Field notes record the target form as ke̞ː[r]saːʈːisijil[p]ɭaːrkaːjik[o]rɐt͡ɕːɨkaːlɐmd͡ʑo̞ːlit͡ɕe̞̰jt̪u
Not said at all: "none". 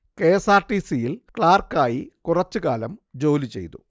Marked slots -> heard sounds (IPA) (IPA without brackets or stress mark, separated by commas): none, k, u